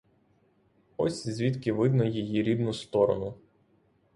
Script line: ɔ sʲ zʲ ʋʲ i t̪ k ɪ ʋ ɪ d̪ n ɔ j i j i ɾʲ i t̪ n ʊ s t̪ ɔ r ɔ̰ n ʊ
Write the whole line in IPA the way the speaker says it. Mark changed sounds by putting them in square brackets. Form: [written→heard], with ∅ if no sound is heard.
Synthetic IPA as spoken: ɔ sʲ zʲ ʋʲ i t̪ k ɪ ʋ ɪ d̪ n ɔ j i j i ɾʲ i [t̪→d̪] n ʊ s t̪ ɔ [r→ɾ] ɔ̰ n ʊ